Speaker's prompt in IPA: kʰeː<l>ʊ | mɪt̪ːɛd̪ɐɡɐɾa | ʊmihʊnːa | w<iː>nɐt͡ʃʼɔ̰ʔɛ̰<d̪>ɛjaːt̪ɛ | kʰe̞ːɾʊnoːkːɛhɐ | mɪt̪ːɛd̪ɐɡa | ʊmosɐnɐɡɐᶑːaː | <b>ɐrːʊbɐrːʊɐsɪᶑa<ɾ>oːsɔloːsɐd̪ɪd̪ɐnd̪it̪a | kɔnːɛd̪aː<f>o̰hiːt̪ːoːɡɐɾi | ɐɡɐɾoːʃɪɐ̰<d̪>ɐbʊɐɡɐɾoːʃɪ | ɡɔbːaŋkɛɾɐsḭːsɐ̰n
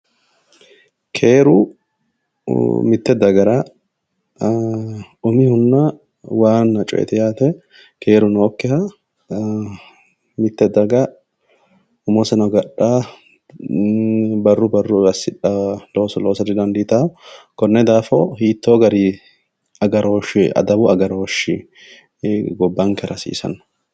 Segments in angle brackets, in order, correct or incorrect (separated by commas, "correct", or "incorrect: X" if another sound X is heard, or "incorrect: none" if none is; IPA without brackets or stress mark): incorrect: ɾ, incorrect: aː, incorrect: t̪, correct, incorrect: l, correct, correct